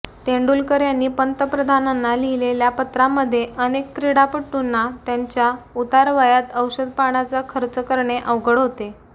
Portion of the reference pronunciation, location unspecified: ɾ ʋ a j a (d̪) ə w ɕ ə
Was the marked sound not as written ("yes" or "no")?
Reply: yes